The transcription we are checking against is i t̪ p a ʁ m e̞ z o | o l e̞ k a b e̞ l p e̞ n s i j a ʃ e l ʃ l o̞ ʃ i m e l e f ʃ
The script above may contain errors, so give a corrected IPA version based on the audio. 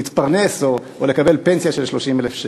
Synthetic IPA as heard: i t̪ p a ʁ n e̞ s o | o l e̞ k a b e̞ l p e̞ n s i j a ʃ e l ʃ l o̞ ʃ i m e l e f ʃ